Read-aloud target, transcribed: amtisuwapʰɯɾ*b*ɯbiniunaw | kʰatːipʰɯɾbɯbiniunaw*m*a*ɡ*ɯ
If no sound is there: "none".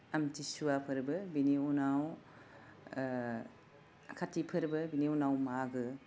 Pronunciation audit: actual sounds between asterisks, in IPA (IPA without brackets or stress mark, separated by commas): b, m, ɡ